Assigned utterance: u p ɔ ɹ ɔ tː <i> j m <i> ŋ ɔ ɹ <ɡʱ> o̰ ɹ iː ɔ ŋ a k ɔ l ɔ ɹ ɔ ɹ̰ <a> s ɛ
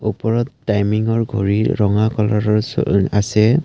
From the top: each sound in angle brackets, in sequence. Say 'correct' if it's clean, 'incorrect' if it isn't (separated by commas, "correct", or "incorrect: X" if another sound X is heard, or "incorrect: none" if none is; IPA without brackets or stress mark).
incorrect: a, correct, correct, correct